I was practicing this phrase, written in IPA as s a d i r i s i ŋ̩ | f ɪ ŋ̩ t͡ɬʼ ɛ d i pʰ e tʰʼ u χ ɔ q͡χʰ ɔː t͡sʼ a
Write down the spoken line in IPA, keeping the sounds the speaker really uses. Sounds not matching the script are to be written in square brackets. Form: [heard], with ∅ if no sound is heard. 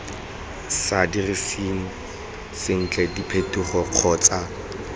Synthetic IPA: s a d i r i s i ŋ̩ | [s] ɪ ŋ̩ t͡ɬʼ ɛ d i pʰ e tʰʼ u χ ɔ q͡χʰ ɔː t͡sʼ a